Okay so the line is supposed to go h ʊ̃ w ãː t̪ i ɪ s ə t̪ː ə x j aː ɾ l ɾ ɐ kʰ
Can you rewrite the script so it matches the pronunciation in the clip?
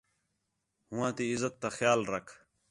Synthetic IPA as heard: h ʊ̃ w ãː t̪ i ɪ z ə t̪ː a x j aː l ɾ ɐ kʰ